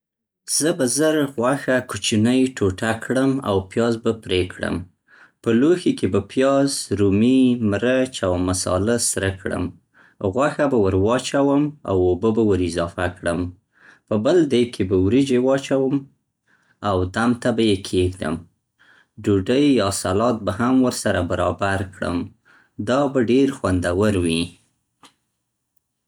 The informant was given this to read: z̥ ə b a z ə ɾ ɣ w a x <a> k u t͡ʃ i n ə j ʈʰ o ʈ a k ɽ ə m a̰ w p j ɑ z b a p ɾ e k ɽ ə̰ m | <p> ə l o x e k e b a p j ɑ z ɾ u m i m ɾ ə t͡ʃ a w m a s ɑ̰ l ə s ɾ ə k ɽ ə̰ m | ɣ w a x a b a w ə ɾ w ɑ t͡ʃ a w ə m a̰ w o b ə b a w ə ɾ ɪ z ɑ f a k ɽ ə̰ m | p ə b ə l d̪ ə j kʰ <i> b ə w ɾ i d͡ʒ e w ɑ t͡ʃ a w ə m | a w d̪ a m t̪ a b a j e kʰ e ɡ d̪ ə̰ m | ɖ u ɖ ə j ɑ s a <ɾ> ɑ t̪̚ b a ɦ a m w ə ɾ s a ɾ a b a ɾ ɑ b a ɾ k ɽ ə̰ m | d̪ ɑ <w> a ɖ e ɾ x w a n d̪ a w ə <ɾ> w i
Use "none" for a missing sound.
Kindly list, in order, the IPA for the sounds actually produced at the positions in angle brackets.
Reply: a, p, e, l, b, ɾ

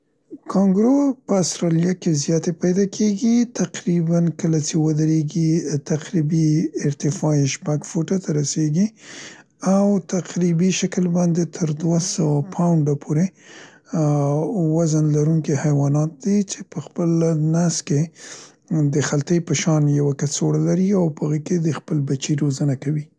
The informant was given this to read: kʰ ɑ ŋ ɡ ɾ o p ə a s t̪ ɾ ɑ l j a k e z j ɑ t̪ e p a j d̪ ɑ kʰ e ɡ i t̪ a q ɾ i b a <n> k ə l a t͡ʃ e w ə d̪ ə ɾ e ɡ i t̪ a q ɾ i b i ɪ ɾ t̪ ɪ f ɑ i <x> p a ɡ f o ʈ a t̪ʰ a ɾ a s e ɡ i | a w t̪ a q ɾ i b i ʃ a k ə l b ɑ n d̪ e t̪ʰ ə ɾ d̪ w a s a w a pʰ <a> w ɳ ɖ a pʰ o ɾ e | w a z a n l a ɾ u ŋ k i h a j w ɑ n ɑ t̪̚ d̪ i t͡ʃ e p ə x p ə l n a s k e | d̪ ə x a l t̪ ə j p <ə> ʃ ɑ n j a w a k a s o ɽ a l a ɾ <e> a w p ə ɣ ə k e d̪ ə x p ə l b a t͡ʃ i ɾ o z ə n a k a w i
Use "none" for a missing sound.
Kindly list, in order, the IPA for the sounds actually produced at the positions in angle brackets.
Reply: n, ʃ, a, ə, i

